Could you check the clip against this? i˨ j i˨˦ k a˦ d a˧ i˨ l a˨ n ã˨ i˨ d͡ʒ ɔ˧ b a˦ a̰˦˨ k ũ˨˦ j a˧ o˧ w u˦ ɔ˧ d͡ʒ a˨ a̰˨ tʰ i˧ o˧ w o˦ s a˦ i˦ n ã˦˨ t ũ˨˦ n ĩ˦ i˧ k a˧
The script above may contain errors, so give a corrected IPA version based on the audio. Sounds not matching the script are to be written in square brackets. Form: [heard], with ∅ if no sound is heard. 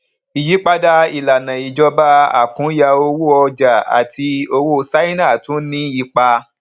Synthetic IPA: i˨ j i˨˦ [k͡p] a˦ d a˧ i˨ l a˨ n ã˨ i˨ d͡ʒ ɔ˧ b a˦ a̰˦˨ k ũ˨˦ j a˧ o˧ w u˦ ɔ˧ d͡ʒ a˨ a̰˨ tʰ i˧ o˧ w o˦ s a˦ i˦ n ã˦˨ t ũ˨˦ n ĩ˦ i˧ [k͡p] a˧